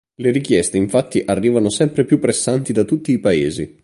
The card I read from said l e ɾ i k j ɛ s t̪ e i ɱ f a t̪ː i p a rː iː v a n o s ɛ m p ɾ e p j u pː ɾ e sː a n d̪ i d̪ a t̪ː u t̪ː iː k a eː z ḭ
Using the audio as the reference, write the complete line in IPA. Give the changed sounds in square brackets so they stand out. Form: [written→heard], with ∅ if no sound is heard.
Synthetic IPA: l e ɾ i k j ɛ s t̪ e i ɱ f a t̪ː i [p→ʔ] a rː iː v a n o s ɛ m p ɾ e p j u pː ɾ e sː a n [d̪→t̪] i d̪ a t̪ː u t̪ː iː [k→p] a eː z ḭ